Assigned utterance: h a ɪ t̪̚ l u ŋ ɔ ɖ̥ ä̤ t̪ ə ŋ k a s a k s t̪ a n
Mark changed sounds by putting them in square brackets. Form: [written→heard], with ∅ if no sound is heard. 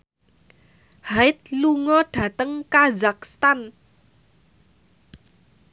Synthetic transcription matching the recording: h a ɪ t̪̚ l u ŋ ɔ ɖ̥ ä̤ t̪ ə ŋ k a [s→z] a k s t̪ a n